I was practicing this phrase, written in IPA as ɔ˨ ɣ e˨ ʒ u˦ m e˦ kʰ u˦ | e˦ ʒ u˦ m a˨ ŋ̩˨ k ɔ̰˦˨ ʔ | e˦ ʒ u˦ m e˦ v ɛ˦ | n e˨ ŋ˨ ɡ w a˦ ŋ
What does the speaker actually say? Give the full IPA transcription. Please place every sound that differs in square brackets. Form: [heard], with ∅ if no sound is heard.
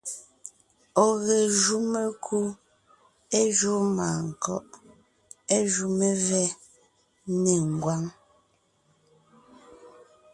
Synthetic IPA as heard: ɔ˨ ɣ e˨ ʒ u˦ m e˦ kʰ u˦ | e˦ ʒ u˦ m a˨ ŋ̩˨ k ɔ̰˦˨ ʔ | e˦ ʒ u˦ m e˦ v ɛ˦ | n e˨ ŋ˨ ɡ w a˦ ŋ